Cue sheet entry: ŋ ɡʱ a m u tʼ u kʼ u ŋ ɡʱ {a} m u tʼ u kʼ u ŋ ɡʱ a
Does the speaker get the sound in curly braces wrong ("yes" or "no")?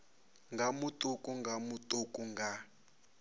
no